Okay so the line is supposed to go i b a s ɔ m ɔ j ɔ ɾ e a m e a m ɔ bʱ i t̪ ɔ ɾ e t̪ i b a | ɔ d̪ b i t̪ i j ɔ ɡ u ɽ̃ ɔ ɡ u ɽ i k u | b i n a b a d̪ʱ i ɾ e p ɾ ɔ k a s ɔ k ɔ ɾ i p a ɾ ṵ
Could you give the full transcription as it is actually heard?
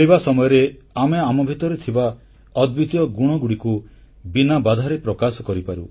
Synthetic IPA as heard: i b a s ɔ m ɔ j ɔ ɾ e a m e a m ɔ bʱ i t̪ ɔ ɾ e t̪ʰ i b a | ɔ d̪ b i t̪ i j ɔ ɡ u ɽ̃ ɔ ɡ u ɽ i k u | b i n a b a d̪ʱ a ɾ e p ɾ ɔ k a s ɔ k ɔ ɾ i p a ɾ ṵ